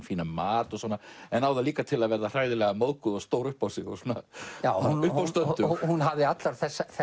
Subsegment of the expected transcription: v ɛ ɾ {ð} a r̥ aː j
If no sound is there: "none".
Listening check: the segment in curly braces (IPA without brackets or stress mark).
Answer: ð